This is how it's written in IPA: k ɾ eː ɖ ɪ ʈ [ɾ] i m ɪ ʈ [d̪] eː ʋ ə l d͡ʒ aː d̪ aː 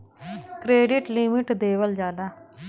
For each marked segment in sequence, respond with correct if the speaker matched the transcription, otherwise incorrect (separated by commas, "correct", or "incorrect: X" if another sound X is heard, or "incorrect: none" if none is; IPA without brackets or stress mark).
incorrect: l, correct